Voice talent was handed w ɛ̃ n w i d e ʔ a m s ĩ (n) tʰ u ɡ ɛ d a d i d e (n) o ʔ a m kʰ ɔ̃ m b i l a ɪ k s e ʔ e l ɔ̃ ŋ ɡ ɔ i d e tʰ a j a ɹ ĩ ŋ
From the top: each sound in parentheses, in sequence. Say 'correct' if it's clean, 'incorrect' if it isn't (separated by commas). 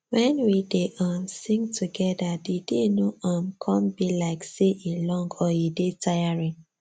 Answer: incorrect, correct